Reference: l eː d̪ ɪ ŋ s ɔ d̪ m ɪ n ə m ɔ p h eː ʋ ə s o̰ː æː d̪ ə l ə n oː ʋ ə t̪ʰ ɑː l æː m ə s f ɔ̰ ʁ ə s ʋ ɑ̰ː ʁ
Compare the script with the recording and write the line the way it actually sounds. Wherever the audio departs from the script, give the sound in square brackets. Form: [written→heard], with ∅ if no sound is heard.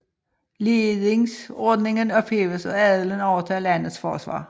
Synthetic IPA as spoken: l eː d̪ ɪ ŋ s ɔ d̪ [m→n] ɪ [n→ŋ] ə [m→n] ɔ p h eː ʋ ə s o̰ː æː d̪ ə l ə n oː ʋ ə t̪ʰ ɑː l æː [m→n] ə s f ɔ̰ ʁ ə s ʋ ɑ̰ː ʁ